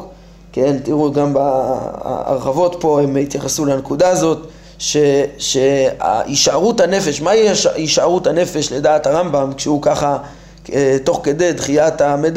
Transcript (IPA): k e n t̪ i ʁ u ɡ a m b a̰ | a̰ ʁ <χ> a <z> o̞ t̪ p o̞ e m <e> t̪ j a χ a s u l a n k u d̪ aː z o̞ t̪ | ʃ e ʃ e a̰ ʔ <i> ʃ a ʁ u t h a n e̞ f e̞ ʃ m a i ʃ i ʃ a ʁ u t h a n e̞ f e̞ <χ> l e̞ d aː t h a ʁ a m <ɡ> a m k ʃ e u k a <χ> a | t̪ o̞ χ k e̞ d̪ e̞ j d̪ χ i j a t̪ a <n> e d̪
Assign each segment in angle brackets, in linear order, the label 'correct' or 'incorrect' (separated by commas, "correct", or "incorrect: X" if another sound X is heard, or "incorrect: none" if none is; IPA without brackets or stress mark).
correct, incorrect: v, incorrect: i, correct, incorrect: ʃ, incorrect: b, correct, incorrect: m